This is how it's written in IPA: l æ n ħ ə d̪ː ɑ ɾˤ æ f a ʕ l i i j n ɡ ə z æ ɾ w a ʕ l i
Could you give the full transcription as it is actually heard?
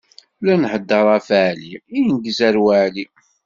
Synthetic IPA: l æ n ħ ə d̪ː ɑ ɾˤ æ f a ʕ l i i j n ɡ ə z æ ɾ w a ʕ l i